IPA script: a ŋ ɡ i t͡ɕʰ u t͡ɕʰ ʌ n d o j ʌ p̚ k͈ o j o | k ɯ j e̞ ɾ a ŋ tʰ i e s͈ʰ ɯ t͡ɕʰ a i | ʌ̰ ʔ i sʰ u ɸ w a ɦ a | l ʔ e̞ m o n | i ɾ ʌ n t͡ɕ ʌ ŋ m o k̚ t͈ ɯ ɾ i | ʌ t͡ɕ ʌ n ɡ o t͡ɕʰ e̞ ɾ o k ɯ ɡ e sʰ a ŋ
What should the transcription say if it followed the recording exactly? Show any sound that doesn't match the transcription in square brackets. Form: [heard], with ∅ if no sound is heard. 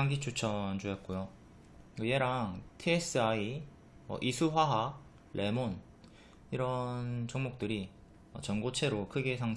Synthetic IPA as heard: a ŋ ɡ i t͡ɕʰ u t͡ɕʰ ʌ n [d͡ʑ] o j ʌ [t̚] k͈ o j o | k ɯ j e̞ ɾ a ŋ tʰ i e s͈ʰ ɯ [∅] a i | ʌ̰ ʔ i sʰ u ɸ w a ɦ a | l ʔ e̞ m o n | i ɾ ʌ n t͡ɕ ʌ ŋ m o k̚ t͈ ɯ ɾ i | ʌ t͡ɕ ʌ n ɡ o t͡ɕʰ e̞ ɾ o [kʰ] ɯ ɡ e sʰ a ŋ